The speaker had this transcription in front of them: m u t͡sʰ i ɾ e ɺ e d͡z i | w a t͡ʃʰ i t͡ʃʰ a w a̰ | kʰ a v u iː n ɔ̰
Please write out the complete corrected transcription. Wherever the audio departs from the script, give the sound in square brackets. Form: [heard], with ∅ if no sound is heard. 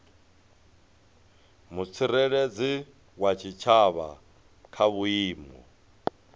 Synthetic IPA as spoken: m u t͡sʰ i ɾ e ɺ e d͡z i | w a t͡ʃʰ i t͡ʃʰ a [β] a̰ | kʰ a [β] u iː [m] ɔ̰